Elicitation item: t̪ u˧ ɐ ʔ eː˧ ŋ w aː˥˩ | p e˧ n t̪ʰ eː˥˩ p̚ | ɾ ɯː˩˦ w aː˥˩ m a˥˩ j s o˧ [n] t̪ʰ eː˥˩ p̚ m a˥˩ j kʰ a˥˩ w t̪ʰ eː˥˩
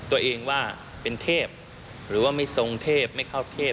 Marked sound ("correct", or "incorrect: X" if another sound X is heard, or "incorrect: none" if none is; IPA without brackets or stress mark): incorrect: ŋ